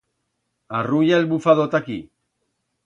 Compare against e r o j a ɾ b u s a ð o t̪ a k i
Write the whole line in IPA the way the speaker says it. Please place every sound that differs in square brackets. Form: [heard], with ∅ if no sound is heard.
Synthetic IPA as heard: [a] r [u] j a [l] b u [f] a ð o t̪ a k i